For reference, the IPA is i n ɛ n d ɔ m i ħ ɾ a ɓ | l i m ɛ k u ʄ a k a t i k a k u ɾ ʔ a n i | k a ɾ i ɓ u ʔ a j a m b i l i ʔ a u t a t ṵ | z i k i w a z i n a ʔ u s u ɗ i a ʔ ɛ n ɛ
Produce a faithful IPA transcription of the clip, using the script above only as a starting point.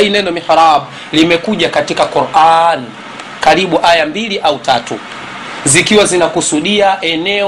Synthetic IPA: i n ɛ n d ɔ m i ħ ɾ a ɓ | l i m ɛ k u ʄ a k a t i k a k u ɾ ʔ a n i | k a ɾ i ɓ u ʔ a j a m b i l i ʔ a u t a t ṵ | z i k i w a z i n a k u s u ɗ i a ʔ ɛ n ɛ